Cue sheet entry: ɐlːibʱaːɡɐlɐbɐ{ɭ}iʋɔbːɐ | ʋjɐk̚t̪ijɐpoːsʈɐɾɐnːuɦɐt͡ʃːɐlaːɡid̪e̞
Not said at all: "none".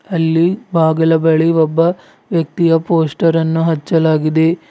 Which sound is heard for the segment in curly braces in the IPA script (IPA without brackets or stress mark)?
ɭ